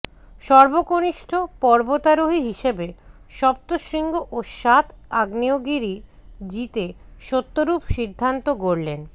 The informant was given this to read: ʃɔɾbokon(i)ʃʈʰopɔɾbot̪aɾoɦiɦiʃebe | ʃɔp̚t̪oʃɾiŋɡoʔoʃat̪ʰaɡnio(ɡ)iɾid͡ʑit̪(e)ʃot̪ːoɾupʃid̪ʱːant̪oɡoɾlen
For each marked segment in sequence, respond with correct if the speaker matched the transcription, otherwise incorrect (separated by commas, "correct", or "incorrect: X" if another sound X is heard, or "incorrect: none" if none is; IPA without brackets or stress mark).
correct, correct, correct